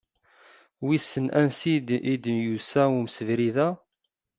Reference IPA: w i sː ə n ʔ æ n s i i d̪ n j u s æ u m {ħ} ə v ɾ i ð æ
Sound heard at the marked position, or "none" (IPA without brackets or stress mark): s